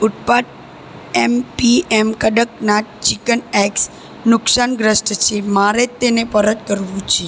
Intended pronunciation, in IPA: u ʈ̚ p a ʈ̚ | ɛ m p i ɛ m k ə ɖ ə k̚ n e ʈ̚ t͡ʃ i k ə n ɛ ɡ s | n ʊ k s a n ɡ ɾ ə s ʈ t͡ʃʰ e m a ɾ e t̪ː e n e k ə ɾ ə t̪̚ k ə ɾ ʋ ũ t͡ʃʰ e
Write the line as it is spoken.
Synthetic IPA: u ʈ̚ p a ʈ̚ | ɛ m p i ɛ m k ə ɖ ə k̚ n a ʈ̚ t͡ʃ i k ə n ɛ k s | n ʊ k s a n ɡ ɾ ə s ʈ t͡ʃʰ e m a ɾ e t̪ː e n e p ə ɾ ə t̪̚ k ə ɾ ʋ ũ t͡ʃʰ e